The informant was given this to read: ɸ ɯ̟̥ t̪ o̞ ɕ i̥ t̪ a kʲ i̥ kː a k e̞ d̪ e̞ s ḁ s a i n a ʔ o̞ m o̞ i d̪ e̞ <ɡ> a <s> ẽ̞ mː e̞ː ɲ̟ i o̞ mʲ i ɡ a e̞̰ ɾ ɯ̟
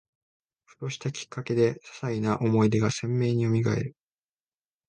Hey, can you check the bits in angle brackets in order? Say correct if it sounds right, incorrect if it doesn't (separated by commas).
correct, correct